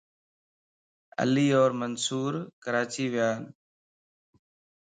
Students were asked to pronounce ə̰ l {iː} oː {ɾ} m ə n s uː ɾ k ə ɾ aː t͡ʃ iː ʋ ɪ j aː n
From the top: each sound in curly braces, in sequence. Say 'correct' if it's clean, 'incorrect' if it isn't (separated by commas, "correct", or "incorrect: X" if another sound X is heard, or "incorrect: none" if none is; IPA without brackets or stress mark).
correct, correct